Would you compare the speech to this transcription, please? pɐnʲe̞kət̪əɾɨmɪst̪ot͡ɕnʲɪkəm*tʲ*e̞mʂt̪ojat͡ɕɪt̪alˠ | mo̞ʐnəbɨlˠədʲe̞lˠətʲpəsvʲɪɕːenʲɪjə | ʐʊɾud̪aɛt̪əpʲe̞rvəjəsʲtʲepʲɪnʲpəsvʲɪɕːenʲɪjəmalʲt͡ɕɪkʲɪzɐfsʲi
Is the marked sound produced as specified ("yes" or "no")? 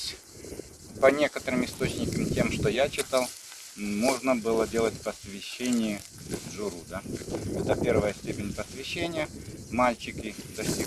yes